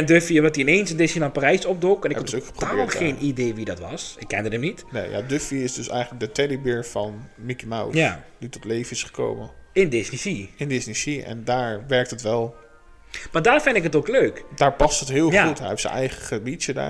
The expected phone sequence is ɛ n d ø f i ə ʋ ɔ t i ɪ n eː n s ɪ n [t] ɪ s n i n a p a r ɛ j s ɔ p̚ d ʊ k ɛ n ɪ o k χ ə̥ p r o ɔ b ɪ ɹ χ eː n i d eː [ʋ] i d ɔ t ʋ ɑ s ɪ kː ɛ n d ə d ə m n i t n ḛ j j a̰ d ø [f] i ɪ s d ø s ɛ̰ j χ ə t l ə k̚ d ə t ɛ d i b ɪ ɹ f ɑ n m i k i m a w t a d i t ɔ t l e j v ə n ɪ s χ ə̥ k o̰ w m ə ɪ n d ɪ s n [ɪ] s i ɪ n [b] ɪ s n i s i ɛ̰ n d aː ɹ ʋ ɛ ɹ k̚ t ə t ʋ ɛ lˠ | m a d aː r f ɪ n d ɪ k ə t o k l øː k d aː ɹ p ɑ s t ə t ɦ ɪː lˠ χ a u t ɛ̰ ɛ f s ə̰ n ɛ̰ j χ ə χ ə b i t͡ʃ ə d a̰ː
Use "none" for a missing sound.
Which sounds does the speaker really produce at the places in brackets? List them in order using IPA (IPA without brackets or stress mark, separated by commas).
d, ʋ, f, i, d